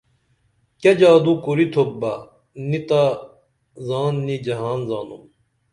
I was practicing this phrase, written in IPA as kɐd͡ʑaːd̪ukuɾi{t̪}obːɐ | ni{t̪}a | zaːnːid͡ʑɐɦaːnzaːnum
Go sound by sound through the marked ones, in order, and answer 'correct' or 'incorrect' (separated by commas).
incorrect, correct